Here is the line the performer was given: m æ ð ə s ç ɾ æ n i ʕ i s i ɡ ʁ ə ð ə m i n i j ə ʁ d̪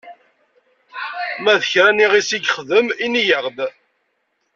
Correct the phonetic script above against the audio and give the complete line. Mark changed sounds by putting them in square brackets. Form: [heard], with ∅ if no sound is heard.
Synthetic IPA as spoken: m æ ð ə [∅] ç ɾ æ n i [ʁ] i s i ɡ [χ] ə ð ə m i n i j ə ʁ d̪